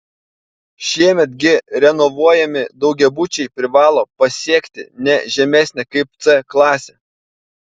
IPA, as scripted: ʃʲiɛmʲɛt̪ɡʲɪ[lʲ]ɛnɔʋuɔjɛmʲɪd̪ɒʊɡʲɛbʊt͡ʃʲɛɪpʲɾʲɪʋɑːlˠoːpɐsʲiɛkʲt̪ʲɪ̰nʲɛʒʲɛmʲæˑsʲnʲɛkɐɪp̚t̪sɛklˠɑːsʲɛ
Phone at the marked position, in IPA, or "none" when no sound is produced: ɾʲ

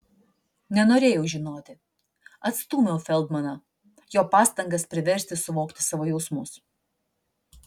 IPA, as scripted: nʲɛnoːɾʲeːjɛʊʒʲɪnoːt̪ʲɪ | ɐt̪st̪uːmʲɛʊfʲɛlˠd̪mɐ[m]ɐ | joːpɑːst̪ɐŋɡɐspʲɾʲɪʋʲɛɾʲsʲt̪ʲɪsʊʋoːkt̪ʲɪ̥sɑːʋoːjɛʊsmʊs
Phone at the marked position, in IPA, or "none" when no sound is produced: n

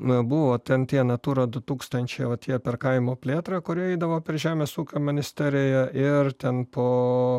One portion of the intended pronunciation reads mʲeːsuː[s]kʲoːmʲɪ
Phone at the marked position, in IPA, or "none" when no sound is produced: none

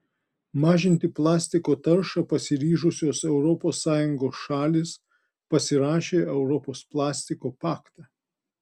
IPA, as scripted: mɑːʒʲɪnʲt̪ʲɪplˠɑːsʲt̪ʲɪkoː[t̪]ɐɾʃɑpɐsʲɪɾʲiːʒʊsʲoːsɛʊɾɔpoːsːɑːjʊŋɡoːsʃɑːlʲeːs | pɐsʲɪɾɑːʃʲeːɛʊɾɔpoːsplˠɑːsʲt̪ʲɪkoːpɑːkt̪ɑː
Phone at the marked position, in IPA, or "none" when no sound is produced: t̪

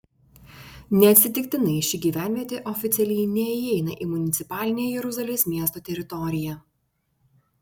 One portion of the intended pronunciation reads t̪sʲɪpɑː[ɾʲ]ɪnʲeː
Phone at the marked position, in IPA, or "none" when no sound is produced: lʲ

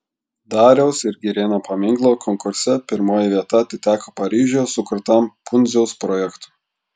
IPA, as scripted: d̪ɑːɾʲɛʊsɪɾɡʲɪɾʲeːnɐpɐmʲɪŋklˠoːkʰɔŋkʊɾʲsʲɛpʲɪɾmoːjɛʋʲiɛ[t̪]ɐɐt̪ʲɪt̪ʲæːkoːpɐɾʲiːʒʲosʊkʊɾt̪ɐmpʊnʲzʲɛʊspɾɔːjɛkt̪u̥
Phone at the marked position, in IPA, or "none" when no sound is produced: t̪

